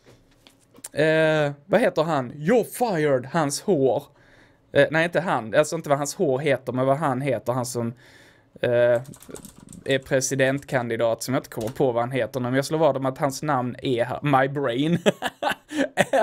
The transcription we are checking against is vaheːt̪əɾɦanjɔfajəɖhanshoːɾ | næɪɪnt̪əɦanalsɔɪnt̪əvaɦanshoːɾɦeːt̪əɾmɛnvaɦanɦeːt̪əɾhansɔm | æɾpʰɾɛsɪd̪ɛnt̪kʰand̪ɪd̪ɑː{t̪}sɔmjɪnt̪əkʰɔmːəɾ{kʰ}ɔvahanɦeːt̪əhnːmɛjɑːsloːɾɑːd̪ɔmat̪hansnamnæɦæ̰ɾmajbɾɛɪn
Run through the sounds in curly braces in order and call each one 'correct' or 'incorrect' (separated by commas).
correct, incorrect